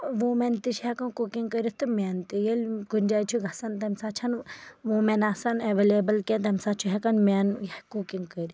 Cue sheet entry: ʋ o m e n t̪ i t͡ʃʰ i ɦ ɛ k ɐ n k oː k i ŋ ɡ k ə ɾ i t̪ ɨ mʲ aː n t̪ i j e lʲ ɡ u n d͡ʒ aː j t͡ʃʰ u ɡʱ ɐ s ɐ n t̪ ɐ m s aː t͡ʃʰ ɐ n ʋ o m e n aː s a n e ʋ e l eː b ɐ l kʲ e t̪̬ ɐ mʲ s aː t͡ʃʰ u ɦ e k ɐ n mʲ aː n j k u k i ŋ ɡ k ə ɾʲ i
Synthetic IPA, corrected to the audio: ʋ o m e n t̪ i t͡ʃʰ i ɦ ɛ k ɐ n k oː k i ŋ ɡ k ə ɾ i t̪ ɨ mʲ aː n t̪ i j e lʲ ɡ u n d͡ʒ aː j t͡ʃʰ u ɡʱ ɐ s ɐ n t̪ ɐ m s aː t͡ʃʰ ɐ n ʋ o m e n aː s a n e ʋ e l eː b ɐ l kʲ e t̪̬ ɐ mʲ s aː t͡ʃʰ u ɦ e k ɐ n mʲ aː n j k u k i ŋ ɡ k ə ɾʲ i